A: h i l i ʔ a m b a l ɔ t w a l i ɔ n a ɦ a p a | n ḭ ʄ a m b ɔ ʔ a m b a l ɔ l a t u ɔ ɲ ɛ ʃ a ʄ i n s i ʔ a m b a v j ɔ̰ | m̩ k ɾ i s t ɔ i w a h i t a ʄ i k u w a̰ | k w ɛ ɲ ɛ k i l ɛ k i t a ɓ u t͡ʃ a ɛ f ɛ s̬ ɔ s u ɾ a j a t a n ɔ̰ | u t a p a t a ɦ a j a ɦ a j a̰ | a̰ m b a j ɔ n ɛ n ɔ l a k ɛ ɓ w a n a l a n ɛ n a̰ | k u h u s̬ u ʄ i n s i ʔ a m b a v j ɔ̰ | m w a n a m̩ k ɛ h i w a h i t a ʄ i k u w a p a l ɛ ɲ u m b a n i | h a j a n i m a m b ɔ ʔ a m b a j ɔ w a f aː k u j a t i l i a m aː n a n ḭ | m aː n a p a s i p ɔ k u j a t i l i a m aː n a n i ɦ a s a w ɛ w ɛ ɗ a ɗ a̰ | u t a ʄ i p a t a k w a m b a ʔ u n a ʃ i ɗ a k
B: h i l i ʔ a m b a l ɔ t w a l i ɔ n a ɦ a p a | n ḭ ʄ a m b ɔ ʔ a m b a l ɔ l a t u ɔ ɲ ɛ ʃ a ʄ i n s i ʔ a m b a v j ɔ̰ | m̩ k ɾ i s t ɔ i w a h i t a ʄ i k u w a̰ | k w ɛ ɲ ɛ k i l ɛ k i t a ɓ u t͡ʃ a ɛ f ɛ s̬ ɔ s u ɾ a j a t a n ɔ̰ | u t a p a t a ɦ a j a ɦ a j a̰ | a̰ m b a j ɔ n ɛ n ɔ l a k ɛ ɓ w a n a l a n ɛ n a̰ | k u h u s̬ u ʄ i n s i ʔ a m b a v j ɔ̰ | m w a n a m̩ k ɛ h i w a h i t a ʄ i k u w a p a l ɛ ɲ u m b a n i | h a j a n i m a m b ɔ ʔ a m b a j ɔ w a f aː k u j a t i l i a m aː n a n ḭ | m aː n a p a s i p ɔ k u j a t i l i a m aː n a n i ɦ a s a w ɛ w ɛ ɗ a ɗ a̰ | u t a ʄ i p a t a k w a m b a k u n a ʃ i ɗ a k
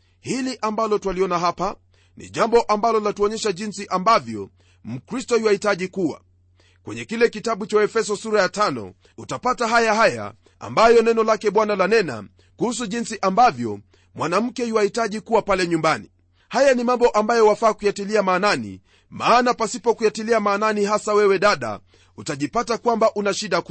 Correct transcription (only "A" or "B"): A